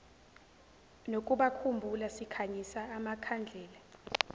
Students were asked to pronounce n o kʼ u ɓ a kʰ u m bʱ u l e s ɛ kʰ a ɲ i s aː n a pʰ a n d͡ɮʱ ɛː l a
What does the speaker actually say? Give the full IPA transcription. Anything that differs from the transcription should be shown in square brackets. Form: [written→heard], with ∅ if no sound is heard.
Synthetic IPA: n o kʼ u ɓ a kʰ u m bʱ u l [e→a] s [ɛ→i] kʰ a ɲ i s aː [n→m] a [pʰ→kʰ] a n d͡ɮʱ ɛː l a